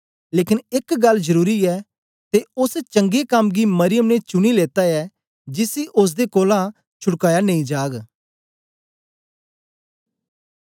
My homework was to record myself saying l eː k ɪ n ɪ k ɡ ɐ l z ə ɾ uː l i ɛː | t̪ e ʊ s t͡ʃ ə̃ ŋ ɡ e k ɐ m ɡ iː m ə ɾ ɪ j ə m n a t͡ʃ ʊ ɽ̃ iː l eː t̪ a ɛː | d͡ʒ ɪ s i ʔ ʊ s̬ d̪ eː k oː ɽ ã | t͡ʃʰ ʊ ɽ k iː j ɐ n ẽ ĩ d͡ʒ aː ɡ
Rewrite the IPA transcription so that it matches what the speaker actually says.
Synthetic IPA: l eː k ɪ n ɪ k ɡ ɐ l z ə ɾ uː ɾ i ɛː | t̪ e ʊ s t͡ʃ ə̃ ŋ ɡ e k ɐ m ɡ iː m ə ɾ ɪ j ə m n e t͡ʃ ʊ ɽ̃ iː l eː t̪ a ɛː | d͡ʒ ɪ s i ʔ ʊ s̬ d̪ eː k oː l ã | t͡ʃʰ ʊ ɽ k aː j a n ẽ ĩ d͡ʒ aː ɡ